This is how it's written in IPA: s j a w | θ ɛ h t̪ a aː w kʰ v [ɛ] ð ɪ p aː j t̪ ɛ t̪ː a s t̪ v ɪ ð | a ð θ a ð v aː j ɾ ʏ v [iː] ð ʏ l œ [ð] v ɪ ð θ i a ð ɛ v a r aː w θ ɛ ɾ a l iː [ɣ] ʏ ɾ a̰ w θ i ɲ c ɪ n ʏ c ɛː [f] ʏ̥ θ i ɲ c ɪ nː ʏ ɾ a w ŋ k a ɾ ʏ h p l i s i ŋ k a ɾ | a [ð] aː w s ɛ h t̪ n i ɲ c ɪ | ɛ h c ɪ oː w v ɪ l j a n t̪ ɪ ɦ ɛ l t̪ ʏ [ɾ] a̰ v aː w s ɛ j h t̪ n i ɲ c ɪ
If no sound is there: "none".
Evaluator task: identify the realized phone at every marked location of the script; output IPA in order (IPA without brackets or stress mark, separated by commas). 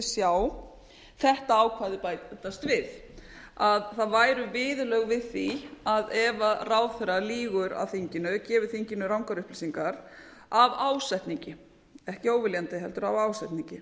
a, ɪː, ɣ, ɣ, v, v, ɾ